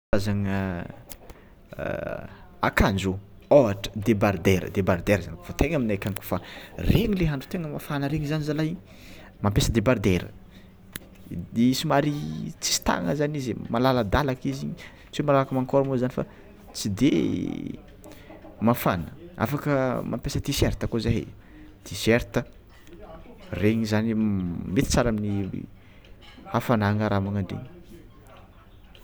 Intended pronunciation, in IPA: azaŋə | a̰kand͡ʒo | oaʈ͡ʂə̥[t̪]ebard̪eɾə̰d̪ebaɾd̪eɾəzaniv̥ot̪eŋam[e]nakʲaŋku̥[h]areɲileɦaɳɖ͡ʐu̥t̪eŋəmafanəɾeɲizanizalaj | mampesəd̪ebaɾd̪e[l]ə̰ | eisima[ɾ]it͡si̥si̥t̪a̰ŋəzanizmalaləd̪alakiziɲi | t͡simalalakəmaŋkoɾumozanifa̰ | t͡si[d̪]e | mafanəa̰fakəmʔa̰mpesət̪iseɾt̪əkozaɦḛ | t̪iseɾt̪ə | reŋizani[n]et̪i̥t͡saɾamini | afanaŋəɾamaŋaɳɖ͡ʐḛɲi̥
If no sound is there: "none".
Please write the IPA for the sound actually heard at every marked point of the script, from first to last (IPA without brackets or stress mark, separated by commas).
d̪, i, f, ɾ, ɾ, d̪, m